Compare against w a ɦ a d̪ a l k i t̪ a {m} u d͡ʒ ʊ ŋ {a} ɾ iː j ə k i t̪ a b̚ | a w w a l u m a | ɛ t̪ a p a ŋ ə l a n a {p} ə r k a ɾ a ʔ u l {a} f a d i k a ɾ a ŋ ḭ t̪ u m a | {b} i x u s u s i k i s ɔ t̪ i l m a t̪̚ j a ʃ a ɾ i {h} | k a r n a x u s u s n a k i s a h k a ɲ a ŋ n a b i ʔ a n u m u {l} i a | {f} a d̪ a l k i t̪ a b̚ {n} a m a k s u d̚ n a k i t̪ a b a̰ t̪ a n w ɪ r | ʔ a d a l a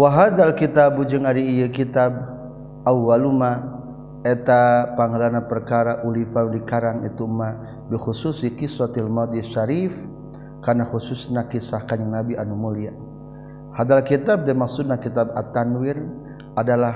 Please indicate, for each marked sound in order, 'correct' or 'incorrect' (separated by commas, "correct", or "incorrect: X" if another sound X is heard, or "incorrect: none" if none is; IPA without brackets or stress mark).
incorrect: b, correct, correct, incorrect: i, correct, incorrect: f, correct, incorrect: h, incorrect: d